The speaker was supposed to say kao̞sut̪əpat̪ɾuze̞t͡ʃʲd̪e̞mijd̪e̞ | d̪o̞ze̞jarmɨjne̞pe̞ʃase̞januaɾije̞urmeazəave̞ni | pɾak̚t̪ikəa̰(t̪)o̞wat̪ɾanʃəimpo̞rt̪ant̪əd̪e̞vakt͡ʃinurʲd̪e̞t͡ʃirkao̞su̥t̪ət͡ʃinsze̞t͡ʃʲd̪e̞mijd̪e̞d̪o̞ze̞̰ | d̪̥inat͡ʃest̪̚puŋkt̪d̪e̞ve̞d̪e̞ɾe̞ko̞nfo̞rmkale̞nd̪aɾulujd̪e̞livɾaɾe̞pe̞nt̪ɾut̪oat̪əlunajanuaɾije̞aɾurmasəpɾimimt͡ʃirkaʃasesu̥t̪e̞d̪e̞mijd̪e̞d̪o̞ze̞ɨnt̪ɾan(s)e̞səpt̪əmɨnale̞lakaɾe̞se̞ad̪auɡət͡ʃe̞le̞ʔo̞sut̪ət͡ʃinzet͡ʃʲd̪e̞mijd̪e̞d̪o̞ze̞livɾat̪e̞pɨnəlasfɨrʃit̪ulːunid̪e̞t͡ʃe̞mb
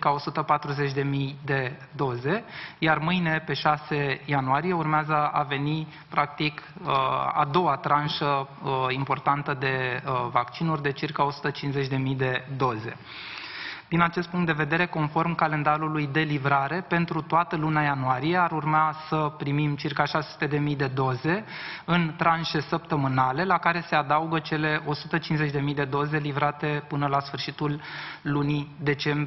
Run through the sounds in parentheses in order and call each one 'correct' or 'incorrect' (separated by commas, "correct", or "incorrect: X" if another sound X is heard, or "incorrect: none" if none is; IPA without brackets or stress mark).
incorrect: d̪, incorrect: ʃ